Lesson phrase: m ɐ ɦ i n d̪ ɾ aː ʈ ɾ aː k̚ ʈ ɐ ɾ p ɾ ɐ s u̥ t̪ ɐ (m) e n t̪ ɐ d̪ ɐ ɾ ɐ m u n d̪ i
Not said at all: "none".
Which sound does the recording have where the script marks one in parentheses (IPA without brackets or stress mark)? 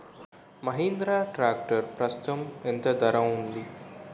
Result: m